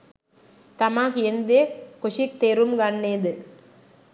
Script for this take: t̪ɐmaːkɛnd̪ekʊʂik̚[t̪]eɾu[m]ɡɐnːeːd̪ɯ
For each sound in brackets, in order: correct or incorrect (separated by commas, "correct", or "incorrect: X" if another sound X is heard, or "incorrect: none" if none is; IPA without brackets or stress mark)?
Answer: correct, correct